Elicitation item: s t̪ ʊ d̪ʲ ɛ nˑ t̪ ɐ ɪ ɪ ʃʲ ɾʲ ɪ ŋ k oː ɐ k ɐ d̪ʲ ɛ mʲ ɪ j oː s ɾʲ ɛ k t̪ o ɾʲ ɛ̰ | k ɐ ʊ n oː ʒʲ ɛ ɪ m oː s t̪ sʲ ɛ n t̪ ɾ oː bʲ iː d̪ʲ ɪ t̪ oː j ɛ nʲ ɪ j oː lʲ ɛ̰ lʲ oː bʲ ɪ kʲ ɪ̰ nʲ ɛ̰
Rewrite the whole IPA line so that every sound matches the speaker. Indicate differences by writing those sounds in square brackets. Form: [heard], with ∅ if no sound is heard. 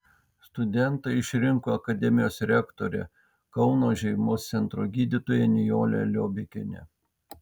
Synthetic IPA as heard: s t̪ ʊ d̪ʲ ɛ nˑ t̪ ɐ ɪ ɪ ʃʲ ɾʲ ɪ ŋ k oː ɐ k ɐ d̪ʲ ɛ mʲ ɪ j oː s ɾʲ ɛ k t̪ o ɾʲ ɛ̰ | k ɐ ʊ n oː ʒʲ ɛ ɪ m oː s t̪ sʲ ɛ n t̪ ɾ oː [ɡʲ] iː d̪ʲ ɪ t̪ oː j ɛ nʲ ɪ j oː lʲ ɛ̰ lʲ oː bʲ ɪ kʲ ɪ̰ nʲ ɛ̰